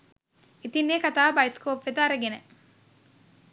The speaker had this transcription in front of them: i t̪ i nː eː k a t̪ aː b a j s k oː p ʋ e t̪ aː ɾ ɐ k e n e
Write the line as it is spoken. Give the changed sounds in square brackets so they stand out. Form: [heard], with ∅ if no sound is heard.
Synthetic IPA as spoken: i t̪ i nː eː k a t̪ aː b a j s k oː p ʋ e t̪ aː ɾ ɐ [ɡ] e n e

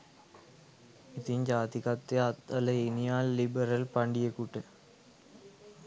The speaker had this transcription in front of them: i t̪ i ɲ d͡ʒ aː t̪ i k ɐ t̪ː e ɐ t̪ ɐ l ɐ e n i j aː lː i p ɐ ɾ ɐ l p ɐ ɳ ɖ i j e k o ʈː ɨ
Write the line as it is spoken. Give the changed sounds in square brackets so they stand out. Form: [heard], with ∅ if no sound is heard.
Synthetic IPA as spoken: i t̪ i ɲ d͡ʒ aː t̪ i k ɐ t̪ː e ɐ t̪ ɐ l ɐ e n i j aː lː i [b] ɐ ɾ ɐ l p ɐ ɳ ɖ i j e k [u] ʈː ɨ

